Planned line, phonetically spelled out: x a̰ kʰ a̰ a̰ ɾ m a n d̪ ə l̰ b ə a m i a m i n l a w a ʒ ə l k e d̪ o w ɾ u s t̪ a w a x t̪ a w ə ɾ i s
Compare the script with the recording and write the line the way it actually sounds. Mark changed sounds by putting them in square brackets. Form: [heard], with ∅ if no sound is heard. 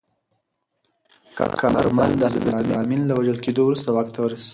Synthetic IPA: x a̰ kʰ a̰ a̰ ɾ m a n d̪ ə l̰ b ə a m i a m i n l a w a ʒ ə l k e d̪ o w ɾ u s t̪ a w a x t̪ a w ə ɾ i s